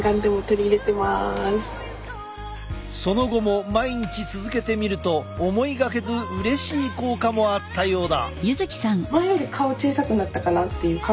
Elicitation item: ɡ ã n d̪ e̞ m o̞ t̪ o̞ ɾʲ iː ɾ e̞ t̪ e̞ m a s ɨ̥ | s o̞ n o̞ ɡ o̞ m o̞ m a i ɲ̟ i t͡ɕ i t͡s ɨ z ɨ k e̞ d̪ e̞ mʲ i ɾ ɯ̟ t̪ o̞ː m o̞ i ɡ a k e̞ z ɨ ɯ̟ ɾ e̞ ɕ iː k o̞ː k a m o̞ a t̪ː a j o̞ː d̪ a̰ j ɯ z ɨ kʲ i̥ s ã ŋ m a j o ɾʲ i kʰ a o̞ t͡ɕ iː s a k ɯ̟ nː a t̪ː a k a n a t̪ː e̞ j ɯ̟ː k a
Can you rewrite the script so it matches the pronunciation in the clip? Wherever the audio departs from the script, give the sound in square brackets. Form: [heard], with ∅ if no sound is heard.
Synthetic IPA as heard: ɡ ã n d̪ e̞ m o̞ t̪ o̞ ɾʲ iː ɾ e̞ t̪ e̞ m a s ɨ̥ | s o̞ n o̞ ɡ o̞ m o̞ m a i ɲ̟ i t͡ɕ i t͡s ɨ z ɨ k e̞ [t̪] e̞ mʲ i ɾ ɯ̟ t̪ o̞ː m o̞ i ɡ a k e̞ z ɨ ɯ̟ ɾ e̞ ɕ iː k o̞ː k a m o̞ a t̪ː a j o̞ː d̪ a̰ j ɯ z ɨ kʲ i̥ s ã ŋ m a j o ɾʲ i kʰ a o̞ t͡ɕ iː s a k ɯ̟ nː a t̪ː a k a n a t̪ː e̞ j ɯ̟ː k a